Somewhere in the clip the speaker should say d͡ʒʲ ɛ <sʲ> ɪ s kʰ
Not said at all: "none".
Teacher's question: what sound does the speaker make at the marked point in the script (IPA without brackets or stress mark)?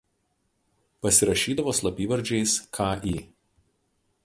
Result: none